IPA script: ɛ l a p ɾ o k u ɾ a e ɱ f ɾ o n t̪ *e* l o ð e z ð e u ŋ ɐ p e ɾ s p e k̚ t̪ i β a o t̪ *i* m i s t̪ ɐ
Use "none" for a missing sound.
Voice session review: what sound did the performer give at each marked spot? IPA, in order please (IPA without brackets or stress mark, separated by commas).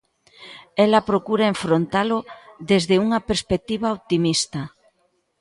a, i